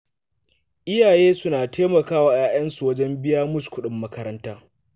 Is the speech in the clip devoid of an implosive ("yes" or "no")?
no